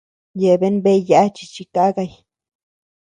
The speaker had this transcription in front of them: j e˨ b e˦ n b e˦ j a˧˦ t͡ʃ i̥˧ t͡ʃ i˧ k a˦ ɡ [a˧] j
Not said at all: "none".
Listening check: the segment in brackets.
a˧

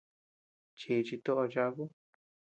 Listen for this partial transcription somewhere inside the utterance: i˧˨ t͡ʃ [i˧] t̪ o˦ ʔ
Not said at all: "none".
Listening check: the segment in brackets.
i˧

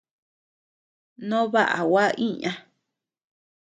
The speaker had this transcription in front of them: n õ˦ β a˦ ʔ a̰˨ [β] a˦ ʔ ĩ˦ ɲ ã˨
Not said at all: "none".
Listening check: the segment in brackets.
w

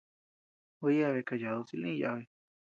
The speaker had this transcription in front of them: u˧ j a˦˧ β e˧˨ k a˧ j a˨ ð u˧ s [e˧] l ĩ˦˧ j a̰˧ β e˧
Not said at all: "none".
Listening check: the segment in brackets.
i˧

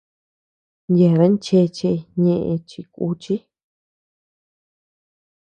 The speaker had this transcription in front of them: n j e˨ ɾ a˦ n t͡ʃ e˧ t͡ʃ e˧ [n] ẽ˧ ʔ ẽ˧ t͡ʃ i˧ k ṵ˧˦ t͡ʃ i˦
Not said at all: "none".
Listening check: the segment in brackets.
ɲ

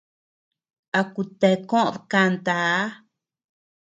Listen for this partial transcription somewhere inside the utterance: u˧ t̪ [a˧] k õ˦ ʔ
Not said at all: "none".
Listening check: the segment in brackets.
e˧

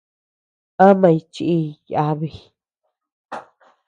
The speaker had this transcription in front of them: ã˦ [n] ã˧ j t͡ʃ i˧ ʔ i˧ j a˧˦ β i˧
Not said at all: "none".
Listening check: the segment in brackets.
m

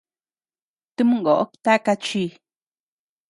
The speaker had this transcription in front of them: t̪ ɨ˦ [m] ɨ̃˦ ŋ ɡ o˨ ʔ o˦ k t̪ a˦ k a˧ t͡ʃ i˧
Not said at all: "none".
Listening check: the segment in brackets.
m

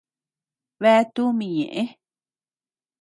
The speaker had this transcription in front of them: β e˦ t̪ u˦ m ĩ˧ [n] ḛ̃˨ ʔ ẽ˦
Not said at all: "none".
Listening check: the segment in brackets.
ɲ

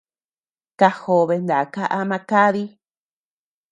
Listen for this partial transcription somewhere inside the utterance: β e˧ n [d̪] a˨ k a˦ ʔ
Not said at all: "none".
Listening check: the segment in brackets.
d̪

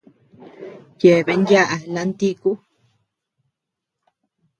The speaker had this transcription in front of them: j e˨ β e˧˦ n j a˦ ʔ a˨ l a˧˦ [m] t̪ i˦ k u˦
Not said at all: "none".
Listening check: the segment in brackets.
n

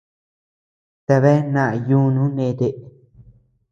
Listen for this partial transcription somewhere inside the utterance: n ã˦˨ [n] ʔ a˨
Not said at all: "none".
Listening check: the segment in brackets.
none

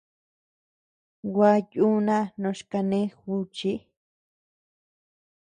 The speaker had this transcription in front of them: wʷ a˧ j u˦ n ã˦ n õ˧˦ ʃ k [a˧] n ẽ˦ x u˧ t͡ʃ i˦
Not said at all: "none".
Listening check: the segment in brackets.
a˧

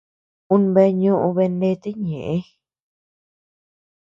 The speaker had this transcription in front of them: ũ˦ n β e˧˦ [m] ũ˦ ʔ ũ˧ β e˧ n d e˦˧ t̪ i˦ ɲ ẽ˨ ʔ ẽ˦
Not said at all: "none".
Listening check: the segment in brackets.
ɲ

